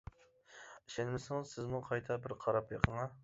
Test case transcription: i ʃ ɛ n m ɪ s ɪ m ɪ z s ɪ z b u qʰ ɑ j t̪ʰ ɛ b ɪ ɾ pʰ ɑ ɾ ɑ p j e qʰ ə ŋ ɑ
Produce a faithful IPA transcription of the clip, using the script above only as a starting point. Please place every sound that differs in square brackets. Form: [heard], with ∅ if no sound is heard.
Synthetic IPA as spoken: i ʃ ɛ n m ɪ s ɪ [ŋ] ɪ z s ɪ z [m] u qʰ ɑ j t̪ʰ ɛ b ɪ ɾ [qʰ] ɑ ɾ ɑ p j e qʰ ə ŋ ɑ